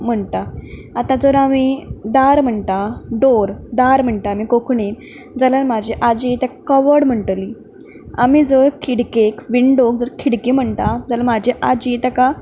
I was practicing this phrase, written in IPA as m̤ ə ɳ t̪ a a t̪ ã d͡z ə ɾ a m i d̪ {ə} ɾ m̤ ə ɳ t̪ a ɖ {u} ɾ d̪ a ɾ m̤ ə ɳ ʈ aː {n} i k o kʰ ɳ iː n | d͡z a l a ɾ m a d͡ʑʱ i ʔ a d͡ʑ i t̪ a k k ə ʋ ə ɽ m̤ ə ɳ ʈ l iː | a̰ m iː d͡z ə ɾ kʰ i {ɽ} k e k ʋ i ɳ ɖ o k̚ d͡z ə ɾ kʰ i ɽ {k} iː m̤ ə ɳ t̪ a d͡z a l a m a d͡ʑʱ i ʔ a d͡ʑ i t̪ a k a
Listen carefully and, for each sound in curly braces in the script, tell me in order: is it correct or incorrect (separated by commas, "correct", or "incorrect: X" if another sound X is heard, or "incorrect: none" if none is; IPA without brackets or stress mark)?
incorrect: a, incorrect: o, incorrect: m, correct, correct